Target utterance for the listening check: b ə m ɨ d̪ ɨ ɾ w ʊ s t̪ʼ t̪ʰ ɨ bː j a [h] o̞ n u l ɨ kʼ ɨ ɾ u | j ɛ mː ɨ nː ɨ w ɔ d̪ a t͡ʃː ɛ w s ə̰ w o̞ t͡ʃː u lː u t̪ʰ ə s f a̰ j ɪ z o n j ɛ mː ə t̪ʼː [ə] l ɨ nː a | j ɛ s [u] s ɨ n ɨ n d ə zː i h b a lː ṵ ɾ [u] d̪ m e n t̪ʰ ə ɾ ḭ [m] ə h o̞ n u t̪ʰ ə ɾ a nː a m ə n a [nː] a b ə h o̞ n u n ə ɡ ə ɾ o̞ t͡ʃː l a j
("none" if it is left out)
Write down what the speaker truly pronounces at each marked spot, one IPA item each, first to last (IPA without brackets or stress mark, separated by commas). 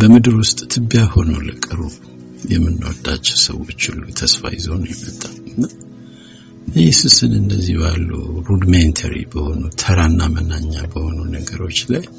h, a, u, u, b, ɲː